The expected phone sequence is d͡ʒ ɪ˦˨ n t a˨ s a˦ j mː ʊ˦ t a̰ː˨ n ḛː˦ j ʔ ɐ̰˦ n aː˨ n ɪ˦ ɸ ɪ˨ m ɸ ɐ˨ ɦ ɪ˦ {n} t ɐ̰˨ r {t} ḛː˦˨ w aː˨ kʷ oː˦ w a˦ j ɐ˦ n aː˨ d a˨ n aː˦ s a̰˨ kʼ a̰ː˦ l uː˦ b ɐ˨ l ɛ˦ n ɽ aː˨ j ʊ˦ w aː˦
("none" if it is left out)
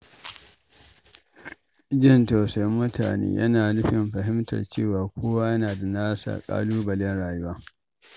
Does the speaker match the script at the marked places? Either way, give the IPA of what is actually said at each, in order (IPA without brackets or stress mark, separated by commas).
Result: m, t͡ʃ